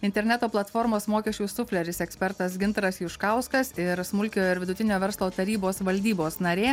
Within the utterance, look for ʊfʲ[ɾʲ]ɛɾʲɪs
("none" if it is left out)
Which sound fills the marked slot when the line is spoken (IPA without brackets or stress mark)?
lʲ